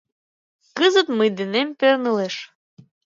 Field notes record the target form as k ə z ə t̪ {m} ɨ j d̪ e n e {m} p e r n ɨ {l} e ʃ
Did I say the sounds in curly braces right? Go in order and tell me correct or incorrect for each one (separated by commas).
correct, correct, correct